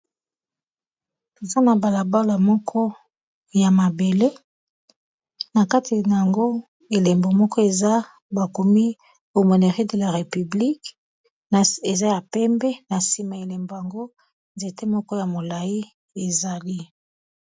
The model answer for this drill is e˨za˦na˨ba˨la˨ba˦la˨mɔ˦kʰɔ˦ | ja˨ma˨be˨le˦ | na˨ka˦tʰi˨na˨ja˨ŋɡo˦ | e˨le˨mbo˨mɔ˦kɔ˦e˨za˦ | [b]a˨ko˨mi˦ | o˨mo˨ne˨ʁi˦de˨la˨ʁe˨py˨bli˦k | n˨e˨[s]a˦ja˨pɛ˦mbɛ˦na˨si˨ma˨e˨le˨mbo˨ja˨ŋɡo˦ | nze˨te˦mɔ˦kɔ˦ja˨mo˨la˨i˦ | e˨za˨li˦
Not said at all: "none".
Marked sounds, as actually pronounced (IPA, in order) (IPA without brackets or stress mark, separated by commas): b, z